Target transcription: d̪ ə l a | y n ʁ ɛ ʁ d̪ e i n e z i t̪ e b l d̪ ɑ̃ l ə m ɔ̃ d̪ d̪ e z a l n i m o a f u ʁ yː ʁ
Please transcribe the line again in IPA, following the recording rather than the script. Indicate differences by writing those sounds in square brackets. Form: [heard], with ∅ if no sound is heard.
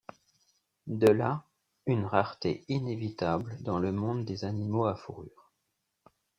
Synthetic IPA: d̪ ə l a | y n ʁ [a] ʁ [t̪] e i n e [v] i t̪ [a] b l d̪ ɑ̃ l ə m ɔ̃ d̪ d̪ e z a [∅] n i m o a f u ʁ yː ʁ